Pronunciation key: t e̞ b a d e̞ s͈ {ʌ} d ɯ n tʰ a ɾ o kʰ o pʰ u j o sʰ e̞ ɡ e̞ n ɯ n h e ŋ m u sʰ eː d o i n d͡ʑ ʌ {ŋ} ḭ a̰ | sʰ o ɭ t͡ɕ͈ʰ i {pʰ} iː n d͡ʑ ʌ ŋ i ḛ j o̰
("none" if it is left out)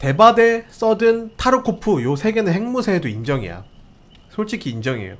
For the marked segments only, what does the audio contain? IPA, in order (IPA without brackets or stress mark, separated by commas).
ʌ, ŋ, kʰ